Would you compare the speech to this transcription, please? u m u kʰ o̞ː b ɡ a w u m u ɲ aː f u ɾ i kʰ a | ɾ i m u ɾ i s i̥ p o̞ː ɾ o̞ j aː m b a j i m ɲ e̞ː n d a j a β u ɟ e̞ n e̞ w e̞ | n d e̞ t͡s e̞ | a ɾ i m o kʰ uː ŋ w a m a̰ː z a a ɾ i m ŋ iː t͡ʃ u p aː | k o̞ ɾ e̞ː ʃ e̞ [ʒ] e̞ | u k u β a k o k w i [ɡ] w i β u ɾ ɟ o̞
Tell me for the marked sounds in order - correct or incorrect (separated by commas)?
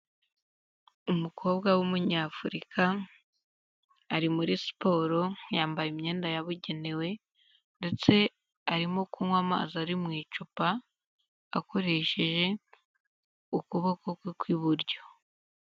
correct, incorrect